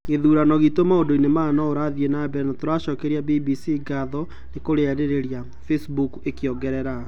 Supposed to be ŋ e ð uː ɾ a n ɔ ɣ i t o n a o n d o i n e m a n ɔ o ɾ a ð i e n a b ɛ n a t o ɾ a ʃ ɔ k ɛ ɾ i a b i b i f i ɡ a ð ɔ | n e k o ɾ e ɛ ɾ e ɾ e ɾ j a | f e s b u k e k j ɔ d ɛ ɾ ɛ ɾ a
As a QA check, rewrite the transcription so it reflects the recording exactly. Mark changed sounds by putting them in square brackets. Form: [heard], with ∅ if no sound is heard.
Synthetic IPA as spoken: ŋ e ð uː ɾ a n ɔ ɣ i t o [m] a o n d o i n e m a n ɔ o ɾ a ð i e n a b ɛ n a t o ɾ a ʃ ɔ k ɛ ɾ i a b i b i [s] i ɡ a ð ɔ | n e k o ɾ e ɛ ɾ e ɾ e ɾ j a | f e s b u k e k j ɔ [ɡ] ɛ ɾ ɛ ɾ a